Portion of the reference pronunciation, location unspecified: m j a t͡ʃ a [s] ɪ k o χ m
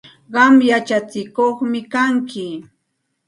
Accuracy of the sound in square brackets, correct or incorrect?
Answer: incorrect